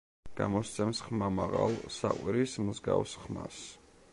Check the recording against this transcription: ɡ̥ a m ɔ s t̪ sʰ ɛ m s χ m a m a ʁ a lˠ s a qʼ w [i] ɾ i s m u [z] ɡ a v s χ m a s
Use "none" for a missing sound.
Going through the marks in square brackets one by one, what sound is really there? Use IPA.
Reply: i, z

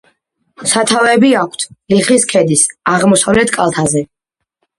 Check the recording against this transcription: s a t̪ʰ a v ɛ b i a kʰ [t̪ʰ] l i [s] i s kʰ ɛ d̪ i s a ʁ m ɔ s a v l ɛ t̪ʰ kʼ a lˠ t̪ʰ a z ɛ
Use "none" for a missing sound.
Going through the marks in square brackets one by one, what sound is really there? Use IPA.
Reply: t̪ʰ, χ

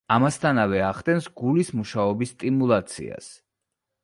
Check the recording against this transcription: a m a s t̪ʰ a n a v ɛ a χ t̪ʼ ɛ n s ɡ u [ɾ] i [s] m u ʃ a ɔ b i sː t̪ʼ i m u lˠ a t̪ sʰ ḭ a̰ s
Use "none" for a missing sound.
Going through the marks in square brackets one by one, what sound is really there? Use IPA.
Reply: l, s

